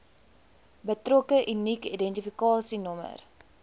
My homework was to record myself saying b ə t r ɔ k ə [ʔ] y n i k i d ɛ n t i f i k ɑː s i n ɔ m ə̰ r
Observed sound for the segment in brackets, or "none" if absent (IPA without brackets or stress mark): ʔ